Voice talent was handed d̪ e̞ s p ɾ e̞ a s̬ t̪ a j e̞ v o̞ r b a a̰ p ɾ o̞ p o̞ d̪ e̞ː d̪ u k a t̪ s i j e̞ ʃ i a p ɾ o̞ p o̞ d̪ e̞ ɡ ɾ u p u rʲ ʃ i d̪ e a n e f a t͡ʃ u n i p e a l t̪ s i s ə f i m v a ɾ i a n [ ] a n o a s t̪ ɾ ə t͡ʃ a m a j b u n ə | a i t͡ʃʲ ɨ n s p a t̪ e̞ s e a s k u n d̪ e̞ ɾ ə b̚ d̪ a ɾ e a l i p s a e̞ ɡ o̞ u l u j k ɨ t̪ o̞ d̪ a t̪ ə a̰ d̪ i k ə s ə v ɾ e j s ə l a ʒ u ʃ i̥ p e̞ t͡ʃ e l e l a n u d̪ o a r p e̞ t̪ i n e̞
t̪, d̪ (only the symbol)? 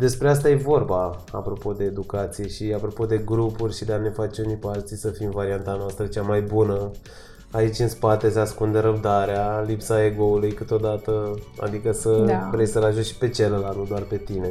t̪